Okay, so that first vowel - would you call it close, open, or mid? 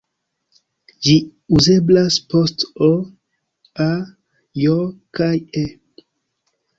close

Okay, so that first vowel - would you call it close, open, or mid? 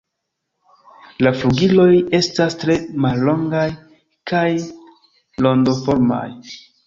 open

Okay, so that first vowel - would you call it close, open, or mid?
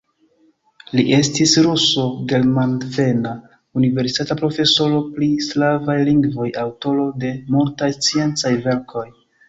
close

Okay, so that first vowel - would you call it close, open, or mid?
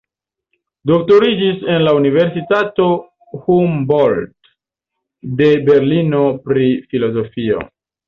mid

